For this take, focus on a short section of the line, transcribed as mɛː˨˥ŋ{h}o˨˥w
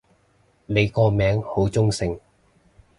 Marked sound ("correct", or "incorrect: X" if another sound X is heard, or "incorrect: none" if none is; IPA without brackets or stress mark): correct